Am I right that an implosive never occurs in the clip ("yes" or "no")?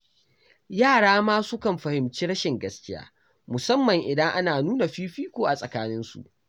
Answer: yes